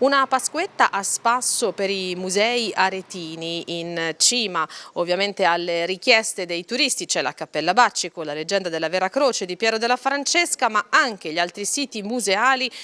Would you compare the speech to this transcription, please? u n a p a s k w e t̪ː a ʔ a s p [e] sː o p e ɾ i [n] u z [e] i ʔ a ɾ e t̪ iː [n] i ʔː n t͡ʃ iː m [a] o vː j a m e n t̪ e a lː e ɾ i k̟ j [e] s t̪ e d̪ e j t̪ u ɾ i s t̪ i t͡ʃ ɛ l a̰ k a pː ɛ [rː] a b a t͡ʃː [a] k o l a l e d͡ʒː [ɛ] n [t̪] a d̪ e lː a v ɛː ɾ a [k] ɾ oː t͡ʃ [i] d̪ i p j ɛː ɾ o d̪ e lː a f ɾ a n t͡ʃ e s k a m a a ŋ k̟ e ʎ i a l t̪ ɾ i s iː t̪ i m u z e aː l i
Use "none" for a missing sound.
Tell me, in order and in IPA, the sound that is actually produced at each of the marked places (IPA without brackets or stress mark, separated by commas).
a, m, ɛ, n, a, ɛ, lː, i, ɛ, d̪, k, e